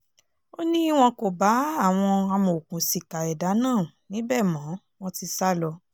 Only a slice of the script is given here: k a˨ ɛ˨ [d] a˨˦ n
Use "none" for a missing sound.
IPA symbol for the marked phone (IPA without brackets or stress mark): d